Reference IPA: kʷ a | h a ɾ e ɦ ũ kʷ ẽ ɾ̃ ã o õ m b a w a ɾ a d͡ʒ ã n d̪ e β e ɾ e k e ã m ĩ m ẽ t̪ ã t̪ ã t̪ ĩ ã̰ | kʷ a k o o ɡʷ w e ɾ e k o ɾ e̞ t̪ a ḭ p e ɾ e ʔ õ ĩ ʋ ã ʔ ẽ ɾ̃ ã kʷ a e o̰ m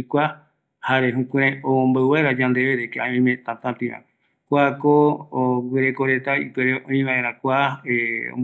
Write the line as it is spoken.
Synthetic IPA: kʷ a | h a ɾ e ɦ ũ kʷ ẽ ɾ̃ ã o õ m b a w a ɾ a d͡ʒ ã n d̪ e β e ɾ e k e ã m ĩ m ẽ t̪ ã t̪ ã t̪ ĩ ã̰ | kʷ a k o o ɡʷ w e ɾ e k o ɾ e̞ t̪ a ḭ p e ɾ e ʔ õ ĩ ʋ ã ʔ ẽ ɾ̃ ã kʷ a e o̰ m